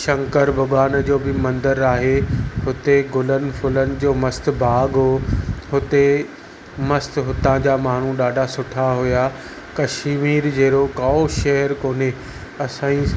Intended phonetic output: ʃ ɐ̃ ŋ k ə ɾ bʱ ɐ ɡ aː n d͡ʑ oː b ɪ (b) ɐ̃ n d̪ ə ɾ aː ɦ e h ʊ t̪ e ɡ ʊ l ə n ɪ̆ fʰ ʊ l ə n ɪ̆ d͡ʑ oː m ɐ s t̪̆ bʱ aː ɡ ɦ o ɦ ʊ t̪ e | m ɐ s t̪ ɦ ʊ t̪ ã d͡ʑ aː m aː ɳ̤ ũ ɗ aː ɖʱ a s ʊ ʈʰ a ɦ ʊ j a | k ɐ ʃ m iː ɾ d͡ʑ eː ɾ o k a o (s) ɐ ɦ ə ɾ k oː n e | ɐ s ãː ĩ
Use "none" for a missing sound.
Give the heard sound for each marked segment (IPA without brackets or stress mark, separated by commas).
m, ʃ